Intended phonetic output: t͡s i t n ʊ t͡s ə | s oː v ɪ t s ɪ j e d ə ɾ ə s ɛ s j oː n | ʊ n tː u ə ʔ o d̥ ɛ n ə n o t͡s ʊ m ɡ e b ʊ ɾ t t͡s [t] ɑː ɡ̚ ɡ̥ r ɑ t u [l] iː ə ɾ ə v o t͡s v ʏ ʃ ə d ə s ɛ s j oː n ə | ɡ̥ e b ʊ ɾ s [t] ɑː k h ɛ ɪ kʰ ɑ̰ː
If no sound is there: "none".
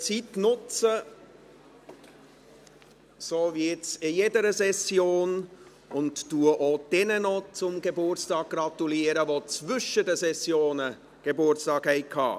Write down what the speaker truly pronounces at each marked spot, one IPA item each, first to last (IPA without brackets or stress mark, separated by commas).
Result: t, l, t